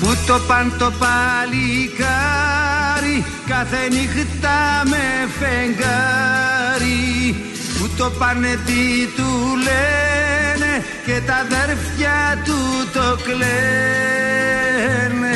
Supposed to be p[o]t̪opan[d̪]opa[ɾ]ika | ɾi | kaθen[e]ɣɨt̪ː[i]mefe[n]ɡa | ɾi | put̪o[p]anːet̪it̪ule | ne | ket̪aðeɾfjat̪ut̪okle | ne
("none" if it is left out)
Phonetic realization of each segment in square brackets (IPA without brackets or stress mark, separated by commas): u, t̪, l, i, a, ŋ, p